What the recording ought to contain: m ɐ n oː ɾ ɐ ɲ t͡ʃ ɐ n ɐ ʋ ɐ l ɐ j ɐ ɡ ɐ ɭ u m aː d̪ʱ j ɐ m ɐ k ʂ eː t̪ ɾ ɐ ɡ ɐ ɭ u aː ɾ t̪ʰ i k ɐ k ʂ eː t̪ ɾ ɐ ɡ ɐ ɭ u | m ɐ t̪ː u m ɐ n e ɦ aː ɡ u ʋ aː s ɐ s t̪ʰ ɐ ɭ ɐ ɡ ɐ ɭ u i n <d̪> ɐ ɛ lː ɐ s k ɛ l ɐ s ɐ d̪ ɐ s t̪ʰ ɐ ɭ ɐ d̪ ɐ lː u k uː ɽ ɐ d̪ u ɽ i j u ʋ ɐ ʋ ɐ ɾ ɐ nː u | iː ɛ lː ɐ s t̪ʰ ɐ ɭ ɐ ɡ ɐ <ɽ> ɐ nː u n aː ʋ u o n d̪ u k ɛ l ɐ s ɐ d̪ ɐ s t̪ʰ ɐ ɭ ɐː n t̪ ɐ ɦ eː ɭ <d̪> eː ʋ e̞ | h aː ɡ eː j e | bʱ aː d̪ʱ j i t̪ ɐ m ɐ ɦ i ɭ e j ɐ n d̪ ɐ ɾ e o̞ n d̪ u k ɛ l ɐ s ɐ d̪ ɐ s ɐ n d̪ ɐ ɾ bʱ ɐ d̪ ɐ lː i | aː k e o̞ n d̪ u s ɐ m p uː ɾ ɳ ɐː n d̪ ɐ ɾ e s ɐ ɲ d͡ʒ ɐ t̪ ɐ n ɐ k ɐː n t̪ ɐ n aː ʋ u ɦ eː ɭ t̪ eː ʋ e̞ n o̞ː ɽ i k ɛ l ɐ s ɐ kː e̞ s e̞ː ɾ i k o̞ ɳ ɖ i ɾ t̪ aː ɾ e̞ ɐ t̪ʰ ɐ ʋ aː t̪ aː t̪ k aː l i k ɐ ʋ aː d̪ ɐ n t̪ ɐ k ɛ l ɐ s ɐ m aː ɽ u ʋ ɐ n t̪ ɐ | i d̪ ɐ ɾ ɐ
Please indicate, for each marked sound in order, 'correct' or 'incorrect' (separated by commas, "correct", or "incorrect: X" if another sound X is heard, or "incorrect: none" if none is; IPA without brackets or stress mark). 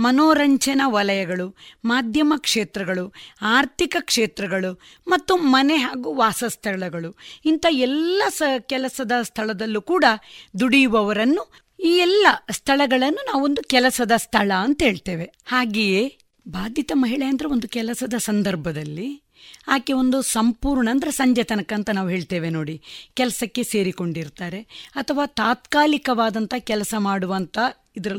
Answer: incorrect: t̪, incorrect: ɭ, incorrect: t̪